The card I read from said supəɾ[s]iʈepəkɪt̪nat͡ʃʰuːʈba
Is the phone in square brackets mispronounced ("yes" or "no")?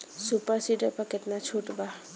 no